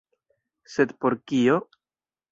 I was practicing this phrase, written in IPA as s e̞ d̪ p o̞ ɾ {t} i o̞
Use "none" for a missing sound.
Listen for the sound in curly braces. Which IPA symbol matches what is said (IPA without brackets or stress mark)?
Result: k